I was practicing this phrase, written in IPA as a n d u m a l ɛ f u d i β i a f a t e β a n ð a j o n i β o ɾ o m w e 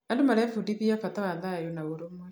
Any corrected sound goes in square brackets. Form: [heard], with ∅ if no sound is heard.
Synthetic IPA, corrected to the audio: a n d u m a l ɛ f u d i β i a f a t [a] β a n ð a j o n [a] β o ɾ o m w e